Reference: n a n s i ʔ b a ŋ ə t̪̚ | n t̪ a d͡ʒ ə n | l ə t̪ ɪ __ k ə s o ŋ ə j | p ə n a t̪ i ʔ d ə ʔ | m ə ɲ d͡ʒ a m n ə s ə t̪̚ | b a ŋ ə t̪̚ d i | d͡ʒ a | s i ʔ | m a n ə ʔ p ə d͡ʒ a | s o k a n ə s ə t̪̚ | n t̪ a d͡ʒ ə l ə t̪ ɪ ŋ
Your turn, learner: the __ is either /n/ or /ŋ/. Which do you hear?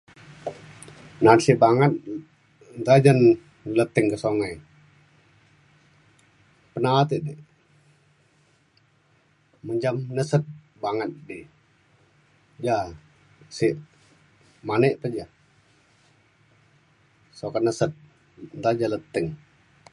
ŋ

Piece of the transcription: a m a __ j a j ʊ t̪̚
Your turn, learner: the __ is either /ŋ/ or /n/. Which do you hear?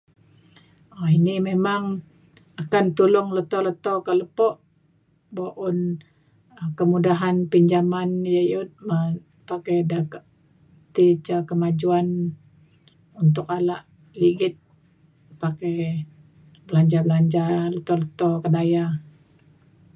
n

